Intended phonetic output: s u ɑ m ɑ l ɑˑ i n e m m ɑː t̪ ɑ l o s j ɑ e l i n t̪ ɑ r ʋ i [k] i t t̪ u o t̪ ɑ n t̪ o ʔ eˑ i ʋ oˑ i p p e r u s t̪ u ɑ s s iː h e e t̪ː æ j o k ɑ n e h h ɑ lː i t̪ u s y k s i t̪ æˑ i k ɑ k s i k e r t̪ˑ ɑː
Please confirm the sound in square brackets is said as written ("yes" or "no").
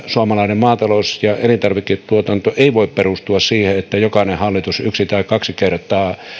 yes